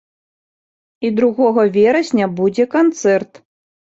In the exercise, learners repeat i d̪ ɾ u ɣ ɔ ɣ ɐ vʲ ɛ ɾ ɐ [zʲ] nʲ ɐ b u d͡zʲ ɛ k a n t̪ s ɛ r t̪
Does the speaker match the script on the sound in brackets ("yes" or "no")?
no